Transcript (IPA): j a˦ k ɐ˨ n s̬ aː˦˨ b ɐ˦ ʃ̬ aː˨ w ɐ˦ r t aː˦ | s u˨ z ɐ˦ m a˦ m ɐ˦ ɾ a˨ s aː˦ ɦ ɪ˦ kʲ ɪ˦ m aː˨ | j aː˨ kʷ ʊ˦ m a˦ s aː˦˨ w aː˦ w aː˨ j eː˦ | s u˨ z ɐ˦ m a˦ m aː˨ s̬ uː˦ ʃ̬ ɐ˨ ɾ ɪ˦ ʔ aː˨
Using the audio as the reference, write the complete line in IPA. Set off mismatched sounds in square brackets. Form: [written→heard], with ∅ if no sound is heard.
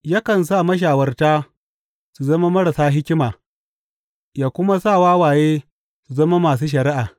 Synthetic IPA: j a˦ k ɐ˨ n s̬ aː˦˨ [b→m] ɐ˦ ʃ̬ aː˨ w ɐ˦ r t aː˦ | s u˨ z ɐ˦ m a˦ m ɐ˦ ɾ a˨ s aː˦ ɦ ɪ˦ kʲ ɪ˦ m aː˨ | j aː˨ kʷ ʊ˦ m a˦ s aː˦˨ w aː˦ w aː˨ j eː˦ | s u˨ z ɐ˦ m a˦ m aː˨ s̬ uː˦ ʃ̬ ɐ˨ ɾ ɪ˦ ʔ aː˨